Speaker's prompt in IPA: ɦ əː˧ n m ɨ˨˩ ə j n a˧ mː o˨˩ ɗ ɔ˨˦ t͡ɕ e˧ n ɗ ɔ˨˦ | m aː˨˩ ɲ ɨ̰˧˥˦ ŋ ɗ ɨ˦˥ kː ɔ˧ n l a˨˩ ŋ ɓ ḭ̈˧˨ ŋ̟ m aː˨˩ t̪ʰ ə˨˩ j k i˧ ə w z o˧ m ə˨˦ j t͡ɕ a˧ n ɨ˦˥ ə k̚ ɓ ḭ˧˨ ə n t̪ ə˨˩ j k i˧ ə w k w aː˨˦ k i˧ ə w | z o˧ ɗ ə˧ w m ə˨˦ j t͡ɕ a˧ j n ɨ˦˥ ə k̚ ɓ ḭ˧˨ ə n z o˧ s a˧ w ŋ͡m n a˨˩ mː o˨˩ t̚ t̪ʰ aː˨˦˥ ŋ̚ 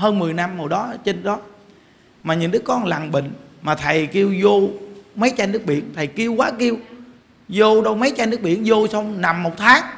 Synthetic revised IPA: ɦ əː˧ n m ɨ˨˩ ə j n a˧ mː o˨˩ ɗ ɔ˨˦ t͡ɕ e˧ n ɗ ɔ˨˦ | m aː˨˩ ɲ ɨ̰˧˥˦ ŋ ɗ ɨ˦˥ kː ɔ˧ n l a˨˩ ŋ ɓ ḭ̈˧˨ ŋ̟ m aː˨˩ t̪ʰ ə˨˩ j k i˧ ə w z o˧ m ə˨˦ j t͡ɕ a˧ n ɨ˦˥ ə k̚ ɓ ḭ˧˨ ə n t̪ʰ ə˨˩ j k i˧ ə w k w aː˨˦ k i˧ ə w | z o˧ ɗ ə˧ w m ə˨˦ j t͡ɕ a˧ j n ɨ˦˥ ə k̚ ɓ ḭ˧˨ ə n z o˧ s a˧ w ŋ͡m n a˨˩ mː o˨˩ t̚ t̪ʰ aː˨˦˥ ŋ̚